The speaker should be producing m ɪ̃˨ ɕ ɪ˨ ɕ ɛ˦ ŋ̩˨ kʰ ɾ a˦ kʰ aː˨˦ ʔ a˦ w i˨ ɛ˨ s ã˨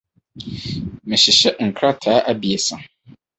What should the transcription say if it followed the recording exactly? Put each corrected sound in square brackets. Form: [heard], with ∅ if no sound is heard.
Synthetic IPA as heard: m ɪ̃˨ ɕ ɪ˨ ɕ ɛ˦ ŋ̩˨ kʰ ɾ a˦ [tʰ] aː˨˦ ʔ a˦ [b] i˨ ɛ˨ s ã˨